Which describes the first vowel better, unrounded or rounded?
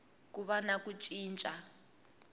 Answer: rounded